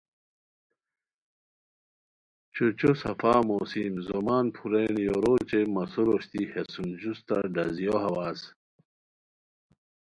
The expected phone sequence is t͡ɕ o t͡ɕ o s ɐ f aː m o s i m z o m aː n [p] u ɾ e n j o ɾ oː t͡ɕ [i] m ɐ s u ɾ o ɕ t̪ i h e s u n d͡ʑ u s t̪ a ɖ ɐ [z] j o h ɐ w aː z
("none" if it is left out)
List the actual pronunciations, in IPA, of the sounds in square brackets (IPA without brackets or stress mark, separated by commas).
pʰ, e, z